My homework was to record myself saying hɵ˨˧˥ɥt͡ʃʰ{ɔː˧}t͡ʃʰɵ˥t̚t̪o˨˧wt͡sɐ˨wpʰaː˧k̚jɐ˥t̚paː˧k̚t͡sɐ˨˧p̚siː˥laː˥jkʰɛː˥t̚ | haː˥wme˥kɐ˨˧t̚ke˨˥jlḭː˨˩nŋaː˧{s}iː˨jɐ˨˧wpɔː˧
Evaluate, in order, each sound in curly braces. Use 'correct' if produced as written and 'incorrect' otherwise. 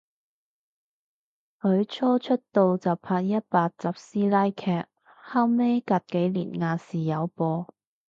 incorrect, correct

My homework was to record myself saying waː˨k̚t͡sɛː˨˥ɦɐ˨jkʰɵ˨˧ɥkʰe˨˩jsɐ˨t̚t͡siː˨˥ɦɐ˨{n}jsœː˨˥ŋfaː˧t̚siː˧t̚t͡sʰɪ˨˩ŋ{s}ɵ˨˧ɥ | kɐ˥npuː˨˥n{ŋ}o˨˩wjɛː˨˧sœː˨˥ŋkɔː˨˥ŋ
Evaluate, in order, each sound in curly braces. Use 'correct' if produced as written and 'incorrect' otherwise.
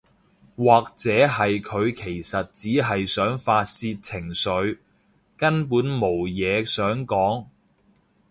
incorrect, correct, incorrect

